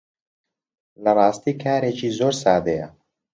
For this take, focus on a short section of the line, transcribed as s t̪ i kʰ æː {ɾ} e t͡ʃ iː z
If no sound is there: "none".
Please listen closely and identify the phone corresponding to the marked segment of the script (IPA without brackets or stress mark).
ɾ